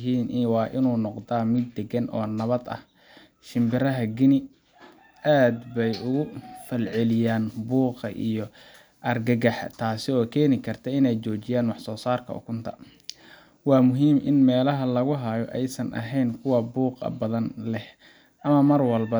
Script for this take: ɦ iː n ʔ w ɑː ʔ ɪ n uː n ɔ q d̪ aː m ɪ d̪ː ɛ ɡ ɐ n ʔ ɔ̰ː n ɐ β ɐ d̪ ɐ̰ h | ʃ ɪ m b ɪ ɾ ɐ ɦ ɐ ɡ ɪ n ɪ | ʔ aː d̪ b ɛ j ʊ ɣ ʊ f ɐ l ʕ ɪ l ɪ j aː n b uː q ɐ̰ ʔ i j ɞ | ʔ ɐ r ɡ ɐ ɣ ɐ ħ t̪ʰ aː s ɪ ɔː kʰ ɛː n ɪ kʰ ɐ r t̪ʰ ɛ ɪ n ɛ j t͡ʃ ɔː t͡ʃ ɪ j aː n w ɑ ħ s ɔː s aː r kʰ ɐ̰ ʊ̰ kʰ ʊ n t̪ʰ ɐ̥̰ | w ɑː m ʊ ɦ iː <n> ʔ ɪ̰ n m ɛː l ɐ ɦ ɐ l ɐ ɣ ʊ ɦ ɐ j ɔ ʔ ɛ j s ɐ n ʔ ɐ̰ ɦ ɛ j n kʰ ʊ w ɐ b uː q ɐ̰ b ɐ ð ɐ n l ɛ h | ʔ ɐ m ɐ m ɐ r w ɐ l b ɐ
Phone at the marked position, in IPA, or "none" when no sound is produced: m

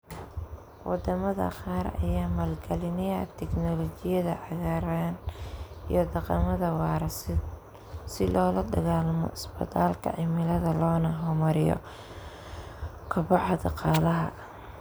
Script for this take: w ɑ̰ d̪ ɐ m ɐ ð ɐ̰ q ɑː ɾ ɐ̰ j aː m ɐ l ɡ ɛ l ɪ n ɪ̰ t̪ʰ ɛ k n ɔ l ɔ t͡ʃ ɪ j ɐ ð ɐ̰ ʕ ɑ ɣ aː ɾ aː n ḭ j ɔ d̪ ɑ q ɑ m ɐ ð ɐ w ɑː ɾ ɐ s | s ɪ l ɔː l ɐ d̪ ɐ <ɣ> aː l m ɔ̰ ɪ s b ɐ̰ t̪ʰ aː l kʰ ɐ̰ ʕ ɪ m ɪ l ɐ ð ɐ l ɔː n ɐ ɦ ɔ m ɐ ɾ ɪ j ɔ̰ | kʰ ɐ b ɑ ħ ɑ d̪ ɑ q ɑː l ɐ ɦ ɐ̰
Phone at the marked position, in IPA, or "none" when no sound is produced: ɣ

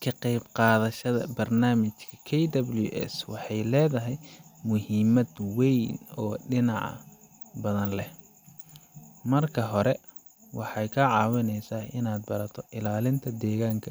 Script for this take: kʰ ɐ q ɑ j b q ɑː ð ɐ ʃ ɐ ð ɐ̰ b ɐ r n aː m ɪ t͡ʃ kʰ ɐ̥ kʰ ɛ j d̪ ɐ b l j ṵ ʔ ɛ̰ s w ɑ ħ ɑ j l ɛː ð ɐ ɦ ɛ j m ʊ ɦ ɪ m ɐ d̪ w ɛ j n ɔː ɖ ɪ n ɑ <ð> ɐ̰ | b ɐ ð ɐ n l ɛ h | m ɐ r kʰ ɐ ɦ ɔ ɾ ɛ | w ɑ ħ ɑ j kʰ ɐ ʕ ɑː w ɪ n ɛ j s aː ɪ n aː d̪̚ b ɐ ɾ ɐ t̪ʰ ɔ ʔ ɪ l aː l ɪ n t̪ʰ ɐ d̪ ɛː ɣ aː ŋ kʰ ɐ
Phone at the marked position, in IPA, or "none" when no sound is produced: ʕ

